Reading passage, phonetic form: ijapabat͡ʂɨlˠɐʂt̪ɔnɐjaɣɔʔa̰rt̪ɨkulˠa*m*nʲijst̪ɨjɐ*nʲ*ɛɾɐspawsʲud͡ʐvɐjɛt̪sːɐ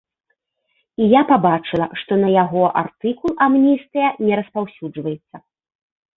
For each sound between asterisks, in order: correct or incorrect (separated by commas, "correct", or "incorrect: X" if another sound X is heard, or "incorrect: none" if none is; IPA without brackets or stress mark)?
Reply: correct, correct